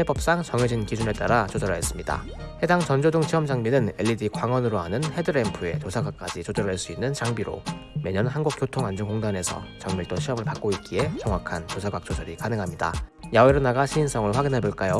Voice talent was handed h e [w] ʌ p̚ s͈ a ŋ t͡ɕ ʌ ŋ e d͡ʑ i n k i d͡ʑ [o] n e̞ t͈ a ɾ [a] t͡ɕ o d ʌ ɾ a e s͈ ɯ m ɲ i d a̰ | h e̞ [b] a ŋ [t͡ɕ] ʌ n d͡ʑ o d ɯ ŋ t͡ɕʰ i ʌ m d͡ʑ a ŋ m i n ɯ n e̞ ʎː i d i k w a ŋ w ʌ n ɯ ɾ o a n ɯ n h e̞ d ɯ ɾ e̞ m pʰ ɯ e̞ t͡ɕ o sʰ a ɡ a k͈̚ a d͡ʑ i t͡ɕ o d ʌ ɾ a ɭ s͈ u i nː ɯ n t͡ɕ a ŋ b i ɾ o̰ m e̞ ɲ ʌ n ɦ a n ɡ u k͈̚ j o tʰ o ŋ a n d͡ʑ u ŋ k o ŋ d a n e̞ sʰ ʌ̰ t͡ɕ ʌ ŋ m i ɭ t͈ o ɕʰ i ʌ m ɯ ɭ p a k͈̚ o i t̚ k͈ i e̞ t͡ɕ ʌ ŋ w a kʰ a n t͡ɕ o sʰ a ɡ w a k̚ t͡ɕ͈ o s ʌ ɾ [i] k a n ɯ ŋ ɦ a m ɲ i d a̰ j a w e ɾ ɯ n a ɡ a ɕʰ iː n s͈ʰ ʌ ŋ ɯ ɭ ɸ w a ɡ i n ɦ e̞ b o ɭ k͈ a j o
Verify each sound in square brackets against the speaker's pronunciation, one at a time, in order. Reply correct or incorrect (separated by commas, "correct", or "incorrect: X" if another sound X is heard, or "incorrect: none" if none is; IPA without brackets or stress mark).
incorrect: b, incorrect: u, correct, incorrect: d, correct, correct